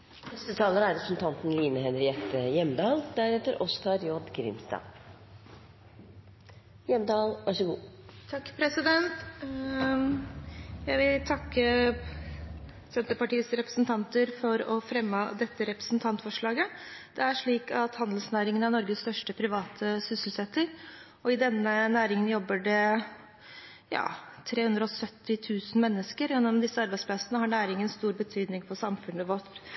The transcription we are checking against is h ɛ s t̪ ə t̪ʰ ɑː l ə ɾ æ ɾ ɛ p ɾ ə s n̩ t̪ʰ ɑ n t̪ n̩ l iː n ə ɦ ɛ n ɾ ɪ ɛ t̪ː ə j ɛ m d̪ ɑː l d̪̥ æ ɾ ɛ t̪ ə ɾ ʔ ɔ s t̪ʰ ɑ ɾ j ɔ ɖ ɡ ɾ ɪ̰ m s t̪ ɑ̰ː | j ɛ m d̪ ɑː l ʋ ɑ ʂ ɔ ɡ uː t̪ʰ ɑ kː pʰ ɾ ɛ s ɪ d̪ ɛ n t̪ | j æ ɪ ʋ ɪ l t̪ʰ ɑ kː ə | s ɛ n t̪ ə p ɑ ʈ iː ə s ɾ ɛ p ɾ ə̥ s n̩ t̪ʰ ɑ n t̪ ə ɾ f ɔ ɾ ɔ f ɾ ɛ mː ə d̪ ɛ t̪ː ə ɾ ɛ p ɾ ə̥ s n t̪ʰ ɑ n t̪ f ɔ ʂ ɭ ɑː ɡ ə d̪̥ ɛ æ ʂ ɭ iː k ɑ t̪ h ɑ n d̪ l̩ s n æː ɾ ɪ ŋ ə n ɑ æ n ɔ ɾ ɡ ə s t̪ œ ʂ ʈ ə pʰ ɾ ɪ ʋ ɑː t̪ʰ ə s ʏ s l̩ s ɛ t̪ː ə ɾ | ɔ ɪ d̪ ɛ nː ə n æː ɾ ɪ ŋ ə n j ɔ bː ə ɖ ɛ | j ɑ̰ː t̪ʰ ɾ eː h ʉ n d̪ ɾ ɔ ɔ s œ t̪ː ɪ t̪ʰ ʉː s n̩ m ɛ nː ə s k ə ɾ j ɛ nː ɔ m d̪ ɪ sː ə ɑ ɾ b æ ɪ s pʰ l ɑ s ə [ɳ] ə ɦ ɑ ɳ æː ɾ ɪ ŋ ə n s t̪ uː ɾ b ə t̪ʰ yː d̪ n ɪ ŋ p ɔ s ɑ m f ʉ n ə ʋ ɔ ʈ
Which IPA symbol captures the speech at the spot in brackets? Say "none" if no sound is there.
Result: n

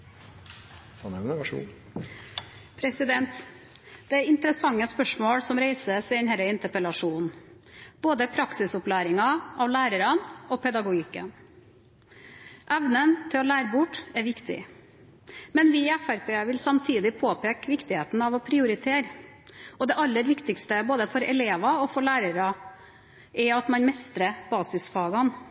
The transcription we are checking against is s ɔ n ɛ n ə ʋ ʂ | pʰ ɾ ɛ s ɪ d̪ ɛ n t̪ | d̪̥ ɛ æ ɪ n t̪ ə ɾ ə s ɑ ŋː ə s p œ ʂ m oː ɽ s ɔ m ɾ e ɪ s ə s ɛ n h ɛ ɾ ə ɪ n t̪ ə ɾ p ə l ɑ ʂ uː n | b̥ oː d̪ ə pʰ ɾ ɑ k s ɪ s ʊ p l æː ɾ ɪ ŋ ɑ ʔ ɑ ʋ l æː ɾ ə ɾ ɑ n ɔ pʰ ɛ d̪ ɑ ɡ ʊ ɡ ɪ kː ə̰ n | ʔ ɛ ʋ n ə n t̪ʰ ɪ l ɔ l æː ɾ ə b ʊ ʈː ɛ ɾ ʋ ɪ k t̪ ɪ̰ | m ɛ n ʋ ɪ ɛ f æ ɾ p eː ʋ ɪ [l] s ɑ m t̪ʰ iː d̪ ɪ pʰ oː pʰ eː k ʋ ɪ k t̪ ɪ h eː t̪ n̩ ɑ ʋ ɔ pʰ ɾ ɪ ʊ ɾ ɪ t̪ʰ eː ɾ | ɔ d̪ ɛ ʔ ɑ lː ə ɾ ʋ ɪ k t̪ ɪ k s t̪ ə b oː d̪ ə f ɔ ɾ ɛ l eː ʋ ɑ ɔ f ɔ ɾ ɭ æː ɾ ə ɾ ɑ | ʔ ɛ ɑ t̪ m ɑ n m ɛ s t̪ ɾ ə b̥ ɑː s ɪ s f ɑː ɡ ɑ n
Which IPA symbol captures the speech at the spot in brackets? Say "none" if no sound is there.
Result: l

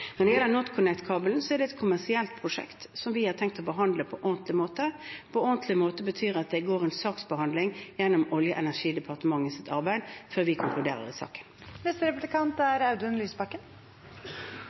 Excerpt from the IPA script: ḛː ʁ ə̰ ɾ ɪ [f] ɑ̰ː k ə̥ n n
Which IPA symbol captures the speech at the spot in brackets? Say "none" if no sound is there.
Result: s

